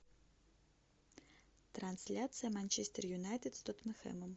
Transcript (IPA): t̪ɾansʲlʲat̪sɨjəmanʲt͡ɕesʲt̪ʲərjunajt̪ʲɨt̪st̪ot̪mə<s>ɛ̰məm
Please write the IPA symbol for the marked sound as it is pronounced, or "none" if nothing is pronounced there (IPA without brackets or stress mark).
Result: x